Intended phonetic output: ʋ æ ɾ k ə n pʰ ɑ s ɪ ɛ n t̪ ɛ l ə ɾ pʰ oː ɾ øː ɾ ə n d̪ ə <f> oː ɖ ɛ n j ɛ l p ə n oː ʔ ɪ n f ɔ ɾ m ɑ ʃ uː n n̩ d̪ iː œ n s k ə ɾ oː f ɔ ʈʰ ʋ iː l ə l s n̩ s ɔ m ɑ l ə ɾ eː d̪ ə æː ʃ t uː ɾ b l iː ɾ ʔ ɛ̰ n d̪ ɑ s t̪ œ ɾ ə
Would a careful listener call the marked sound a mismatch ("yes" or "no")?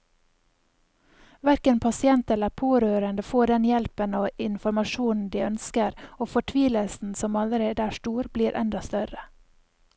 no